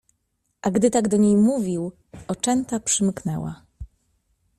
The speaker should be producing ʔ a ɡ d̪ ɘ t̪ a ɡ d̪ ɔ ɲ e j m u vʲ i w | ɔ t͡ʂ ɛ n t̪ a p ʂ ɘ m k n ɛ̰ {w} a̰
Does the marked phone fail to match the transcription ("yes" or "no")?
no